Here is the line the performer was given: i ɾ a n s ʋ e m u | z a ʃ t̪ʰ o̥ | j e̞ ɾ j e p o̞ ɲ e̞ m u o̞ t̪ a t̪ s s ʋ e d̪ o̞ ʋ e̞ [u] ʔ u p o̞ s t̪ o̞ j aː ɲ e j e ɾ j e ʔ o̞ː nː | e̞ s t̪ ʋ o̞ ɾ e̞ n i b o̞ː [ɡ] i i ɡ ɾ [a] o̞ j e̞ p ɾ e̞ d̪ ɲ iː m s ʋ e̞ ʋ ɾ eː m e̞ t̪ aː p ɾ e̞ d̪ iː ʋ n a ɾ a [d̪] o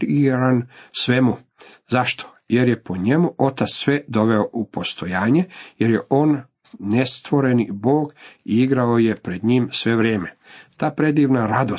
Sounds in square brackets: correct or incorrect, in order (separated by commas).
incorrect, correct, correct, correct